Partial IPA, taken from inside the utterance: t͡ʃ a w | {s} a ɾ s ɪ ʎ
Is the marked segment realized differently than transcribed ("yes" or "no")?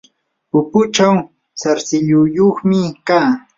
no